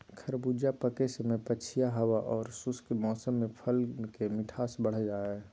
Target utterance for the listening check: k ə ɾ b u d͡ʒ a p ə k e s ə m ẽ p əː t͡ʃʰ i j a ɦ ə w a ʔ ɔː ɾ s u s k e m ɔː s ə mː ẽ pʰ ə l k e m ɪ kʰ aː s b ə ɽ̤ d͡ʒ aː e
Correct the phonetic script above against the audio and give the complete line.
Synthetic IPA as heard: kʰ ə ɾ b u d͡ʒ a p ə k e s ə m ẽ p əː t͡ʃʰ i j a ɦ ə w a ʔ ɔː ɾ s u s k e m ɔː s ə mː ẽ pʰ ə l k e m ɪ ʈʰ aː s b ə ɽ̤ d͡ʒ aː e